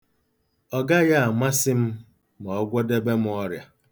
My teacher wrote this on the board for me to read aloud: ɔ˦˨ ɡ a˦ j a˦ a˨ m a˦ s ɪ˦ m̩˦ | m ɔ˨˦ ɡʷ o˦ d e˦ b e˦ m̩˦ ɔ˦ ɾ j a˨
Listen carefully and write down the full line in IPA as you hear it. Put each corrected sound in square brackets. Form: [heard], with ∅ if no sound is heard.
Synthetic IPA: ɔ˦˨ ɡ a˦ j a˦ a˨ m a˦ s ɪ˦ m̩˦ | m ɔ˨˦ ɡʷ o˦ d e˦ b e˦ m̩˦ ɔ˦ ɾ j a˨